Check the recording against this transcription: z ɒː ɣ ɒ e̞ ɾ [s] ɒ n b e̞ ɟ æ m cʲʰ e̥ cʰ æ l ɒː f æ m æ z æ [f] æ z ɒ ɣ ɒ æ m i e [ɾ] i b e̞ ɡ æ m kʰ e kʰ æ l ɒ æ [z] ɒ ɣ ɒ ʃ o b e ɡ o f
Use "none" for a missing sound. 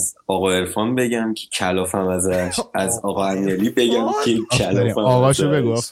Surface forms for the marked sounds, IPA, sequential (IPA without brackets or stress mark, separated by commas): f, ʃ, l, none